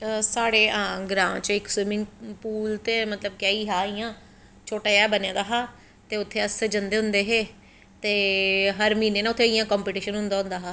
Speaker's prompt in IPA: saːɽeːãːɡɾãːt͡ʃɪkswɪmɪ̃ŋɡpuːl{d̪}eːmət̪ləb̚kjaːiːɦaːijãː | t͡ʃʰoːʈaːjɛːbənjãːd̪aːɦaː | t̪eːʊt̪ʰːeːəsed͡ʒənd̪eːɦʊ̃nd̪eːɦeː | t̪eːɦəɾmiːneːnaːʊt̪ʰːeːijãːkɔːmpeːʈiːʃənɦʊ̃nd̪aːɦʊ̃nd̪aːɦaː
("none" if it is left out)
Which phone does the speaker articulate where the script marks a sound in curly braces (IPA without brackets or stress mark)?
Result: t̪